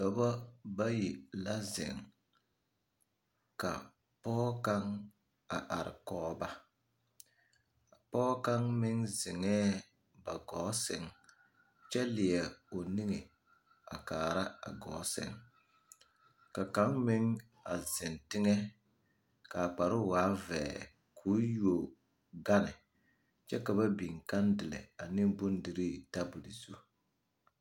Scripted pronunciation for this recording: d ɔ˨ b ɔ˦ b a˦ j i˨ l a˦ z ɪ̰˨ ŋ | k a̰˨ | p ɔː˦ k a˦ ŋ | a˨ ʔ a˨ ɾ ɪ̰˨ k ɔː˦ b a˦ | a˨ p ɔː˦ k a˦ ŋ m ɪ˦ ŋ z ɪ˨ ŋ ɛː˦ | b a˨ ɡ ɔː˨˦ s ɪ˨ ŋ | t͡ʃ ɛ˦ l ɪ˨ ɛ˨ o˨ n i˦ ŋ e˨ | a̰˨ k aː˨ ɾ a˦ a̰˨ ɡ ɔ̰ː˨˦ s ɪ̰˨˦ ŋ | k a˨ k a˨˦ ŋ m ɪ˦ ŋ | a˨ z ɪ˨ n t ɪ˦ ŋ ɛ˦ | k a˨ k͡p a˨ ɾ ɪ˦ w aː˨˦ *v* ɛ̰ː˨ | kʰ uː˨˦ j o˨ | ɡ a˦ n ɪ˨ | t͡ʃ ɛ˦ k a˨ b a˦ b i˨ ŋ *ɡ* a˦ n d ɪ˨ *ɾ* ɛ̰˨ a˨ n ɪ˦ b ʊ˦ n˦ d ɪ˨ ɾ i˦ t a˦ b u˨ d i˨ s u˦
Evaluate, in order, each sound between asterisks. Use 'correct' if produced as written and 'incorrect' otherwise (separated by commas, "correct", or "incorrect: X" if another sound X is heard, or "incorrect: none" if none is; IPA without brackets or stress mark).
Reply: correct, incorrect: k, incorrect: l